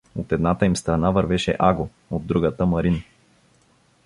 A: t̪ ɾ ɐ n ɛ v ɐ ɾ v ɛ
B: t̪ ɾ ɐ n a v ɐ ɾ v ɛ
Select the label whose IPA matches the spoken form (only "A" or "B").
B